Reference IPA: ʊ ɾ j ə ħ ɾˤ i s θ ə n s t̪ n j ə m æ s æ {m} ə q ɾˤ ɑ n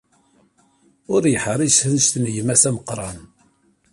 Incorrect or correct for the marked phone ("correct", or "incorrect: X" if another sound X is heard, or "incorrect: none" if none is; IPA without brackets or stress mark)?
correct